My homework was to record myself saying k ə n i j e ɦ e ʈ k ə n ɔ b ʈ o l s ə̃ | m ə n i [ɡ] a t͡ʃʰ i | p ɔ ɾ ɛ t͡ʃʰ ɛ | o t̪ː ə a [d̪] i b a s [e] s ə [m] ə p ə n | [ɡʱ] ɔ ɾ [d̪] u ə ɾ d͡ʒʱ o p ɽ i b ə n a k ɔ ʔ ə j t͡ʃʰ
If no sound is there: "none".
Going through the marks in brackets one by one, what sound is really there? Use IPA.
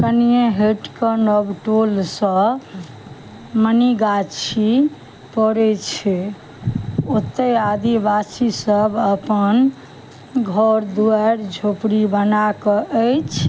ɡ, d̪, i, b, ɡʱ, d̪

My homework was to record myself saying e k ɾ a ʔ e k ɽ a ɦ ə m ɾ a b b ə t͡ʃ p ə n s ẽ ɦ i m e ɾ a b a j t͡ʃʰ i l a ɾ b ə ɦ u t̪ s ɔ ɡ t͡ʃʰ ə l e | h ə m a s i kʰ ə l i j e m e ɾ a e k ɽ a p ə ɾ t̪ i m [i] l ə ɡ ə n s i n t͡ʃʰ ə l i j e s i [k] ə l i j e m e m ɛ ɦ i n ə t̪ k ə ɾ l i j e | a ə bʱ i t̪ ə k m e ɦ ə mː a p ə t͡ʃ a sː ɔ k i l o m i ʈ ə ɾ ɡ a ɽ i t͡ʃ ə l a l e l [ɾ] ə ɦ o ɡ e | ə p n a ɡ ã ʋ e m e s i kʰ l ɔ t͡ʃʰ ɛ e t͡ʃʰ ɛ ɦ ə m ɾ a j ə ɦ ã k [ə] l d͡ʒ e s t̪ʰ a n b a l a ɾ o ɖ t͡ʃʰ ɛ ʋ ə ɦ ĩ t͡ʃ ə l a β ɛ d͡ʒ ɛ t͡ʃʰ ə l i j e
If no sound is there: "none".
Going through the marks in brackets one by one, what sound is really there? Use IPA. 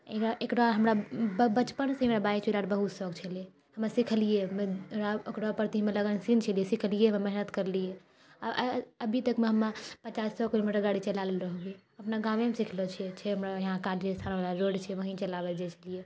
e, kʰ, ɾ, a

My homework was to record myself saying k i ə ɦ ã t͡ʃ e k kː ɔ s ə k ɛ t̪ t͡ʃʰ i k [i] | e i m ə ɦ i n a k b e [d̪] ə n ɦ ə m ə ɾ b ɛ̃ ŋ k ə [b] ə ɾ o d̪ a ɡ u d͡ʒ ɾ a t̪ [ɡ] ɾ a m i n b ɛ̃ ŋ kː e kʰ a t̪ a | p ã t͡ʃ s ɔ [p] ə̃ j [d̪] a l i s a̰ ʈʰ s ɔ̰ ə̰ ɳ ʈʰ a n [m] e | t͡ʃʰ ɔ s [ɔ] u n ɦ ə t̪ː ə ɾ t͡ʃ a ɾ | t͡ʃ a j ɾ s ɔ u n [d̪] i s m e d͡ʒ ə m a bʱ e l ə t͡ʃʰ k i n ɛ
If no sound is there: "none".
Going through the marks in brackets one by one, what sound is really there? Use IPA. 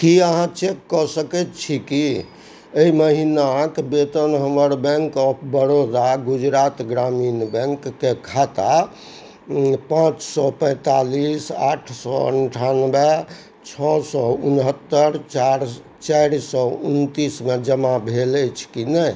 i, t̪, b, ɡ, p, t̪, b, ɔ, t̪

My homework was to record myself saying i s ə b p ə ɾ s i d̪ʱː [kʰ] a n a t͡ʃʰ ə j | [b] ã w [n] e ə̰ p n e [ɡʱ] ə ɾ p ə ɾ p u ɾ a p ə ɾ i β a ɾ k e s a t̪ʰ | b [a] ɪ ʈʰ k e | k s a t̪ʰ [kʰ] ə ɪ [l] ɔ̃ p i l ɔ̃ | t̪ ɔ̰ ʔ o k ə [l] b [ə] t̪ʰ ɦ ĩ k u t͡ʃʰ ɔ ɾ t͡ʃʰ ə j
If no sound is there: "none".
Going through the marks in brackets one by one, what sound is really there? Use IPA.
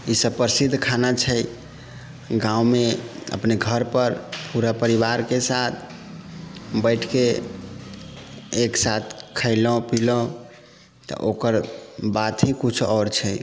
kʰ, ɡ, m, ɡʱ, ə, kʰ, l, ɾ, a

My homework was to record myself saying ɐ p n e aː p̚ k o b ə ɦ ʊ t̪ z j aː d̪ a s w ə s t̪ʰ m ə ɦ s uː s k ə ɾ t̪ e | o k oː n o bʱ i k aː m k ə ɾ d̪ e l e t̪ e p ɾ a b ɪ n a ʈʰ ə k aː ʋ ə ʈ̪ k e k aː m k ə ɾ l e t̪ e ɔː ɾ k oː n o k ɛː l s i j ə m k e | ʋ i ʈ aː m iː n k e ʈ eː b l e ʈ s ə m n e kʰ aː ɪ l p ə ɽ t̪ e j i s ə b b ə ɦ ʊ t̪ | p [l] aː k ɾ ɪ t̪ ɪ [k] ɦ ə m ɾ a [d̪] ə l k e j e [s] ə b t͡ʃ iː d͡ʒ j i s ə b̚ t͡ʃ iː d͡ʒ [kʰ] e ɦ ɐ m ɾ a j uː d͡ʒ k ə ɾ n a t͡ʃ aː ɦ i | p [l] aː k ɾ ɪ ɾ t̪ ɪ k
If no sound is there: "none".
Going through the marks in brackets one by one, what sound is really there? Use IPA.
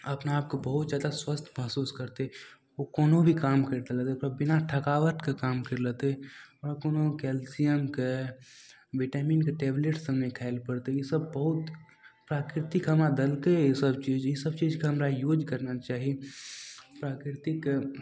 ɾ, k, d̪, s, k, ɾ

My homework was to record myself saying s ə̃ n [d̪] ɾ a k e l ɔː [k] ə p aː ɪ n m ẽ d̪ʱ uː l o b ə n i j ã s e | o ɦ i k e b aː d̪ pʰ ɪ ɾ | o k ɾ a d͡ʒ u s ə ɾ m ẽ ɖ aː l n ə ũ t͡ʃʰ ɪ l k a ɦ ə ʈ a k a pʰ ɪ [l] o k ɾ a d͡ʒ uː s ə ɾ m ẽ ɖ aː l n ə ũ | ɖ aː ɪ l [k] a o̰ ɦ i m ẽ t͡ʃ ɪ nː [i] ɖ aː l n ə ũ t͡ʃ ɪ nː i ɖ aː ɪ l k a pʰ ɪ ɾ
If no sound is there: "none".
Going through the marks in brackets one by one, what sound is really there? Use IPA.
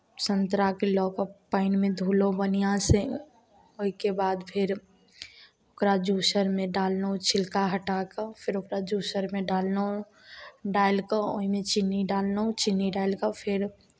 t̪, k, ɾ, k, i

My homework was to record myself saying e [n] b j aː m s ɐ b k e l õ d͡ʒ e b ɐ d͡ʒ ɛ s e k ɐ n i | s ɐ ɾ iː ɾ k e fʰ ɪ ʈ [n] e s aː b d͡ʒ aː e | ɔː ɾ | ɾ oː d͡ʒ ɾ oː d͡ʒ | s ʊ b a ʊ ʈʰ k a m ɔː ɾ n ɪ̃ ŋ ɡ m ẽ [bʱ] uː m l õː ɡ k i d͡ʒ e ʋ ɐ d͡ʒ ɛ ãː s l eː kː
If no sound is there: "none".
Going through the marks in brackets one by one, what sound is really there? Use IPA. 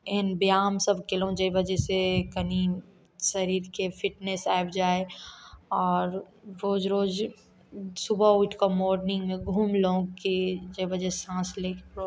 n, n, ɡʱ

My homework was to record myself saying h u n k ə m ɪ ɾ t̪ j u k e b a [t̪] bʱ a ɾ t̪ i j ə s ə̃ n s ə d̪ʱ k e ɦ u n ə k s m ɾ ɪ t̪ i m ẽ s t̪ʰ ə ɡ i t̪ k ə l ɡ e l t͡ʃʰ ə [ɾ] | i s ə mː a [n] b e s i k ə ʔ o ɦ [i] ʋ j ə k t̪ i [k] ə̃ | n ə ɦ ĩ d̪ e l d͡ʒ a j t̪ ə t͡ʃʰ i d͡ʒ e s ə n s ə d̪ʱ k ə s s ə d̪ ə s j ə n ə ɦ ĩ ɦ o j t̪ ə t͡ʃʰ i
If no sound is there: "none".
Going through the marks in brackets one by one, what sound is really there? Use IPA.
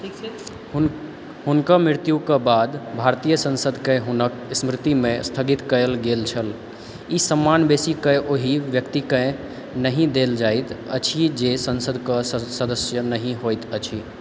d̪, l, n, i, k

